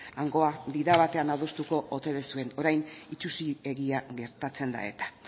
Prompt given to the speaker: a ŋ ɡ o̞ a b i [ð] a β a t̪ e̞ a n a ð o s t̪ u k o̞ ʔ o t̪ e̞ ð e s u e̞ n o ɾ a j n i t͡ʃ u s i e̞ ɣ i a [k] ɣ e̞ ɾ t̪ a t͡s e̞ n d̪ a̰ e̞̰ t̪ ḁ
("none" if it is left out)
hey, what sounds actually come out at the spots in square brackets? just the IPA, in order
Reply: ð, none

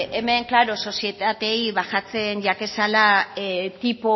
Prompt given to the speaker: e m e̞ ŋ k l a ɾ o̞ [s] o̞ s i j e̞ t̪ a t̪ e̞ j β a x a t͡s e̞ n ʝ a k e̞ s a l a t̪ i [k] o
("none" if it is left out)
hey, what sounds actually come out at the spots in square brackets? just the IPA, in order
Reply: s, p

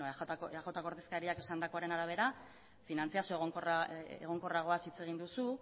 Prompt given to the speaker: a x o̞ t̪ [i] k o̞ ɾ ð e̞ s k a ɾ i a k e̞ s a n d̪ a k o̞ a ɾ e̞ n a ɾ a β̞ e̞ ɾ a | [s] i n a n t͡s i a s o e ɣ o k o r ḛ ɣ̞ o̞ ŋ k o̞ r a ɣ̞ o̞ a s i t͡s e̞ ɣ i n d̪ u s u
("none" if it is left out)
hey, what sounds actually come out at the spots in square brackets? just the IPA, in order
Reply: a, f

